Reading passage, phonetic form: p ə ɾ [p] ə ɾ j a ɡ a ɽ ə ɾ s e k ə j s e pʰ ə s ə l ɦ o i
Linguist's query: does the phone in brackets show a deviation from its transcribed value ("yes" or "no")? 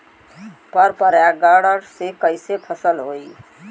no